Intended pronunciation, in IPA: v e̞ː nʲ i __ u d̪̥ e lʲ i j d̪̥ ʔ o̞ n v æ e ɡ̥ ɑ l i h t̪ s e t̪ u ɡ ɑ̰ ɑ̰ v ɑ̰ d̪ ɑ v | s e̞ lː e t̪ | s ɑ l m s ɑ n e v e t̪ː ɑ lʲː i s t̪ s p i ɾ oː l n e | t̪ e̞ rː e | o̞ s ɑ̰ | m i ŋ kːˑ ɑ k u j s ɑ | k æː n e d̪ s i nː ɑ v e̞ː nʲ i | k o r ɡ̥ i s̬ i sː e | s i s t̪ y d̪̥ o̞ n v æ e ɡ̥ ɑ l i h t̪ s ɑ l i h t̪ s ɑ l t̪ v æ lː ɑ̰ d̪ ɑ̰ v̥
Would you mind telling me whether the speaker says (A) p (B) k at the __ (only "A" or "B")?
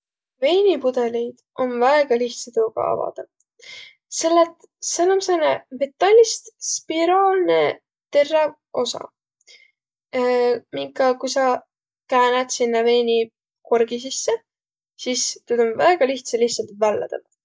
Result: A